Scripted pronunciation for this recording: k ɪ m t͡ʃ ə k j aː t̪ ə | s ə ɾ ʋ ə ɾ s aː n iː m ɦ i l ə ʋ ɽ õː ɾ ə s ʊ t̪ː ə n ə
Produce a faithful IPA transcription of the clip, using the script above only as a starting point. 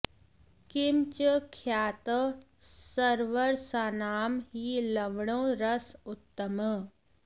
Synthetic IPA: k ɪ m t͡ʃ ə kʰ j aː t̪ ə | s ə ɾ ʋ ə ɾ s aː n aː m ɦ i l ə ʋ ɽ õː ɾ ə s ʊ t̪ː ə m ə